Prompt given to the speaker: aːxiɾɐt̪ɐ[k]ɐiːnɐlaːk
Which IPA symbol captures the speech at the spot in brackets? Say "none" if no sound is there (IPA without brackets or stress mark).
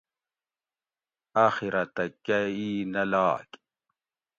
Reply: k